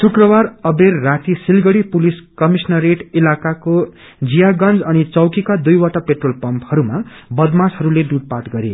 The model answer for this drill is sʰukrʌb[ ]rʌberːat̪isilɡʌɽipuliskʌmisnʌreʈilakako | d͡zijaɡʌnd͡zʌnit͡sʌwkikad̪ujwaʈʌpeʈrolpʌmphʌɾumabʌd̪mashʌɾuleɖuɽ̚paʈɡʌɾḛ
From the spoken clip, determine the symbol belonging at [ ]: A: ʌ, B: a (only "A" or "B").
B